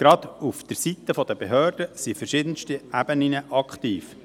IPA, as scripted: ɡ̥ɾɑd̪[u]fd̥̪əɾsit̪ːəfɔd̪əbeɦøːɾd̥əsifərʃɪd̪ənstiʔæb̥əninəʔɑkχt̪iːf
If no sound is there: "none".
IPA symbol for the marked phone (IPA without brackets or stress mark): u